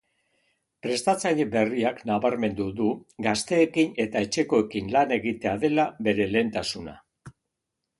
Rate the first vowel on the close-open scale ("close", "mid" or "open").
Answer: mid